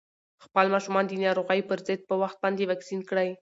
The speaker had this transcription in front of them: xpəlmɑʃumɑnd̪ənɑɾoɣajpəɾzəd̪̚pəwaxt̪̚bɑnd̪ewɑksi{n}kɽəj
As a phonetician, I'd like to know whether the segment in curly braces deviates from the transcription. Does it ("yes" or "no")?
no